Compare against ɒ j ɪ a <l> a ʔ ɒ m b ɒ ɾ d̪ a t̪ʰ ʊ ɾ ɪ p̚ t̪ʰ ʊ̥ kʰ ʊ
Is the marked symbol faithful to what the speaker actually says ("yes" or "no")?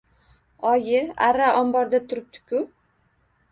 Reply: no